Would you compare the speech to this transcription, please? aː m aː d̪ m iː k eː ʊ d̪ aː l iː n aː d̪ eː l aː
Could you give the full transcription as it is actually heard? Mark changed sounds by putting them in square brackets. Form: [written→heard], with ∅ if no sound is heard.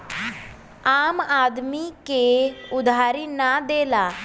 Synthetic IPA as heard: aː m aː d̪ m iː k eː ʊ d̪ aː [l→ɾ] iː n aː d̪ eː l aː

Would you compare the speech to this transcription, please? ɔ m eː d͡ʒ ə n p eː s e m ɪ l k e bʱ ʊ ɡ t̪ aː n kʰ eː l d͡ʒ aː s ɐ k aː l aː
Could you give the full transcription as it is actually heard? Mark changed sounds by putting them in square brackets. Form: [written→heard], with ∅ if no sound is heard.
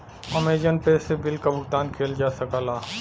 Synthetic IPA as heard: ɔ m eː d͡ʒ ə n p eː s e [m→b] ɪ l k [e→a] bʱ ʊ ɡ t̪ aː n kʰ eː l d͡ʒ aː s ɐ k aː l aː

